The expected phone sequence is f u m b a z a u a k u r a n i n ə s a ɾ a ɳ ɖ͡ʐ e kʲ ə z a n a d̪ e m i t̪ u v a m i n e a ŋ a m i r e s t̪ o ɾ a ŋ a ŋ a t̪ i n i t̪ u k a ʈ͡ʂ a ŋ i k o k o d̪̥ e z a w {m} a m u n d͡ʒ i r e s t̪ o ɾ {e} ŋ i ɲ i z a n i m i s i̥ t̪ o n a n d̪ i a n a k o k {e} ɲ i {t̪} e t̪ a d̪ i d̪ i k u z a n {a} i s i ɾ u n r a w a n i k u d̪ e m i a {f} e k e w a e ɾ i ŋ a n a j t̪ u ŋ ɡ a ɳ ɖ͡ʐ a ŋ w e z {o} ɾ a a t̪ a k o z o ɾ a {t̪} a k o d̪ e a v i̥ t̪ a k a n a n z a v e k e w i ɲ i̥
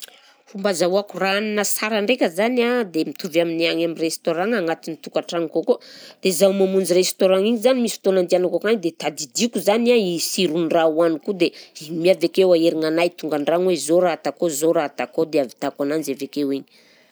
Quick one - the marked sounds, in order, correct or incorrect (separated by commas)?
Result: correct, incorrect, incorrect, incorrect, correct, incorrect, correct, correct